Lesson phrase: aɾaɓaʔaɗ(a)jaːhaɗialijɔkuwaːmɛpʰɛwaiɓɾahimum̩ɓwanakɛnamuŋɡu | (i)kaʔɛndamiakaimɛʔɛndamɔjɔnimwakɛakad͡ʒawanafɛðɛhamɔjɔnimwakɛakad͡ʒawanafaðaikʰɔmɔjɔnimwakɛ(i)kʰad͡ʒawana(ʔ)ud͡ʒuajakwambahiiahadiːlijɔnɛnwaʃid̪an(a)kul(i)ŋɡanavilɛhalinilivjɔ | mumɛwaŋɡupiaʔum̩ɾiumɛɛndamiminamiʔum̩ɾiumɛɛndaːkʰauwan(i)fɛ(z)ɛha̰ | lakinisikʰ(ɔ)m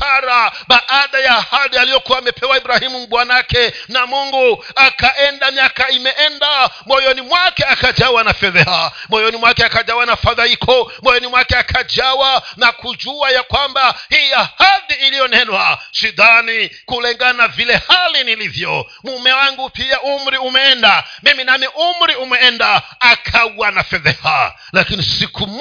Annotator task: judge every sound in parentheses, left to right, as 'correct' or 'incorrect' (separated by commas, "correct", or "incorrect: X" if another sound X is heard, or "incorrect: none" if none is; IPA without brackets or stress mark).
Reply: correct, incorrect: a, incorrect: a, incorrect: k, incorrect: i, incorrect: ɛ, incorrect: a, incorrect: ð, incorrect: u